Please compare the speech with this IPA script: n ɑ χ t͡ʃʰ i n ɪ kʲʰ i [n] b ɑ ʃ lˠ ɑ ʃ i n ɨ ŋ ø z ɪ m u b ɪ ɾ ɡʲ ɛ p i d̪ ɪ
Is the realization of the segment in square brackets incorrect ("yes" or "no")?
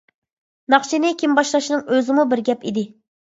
yes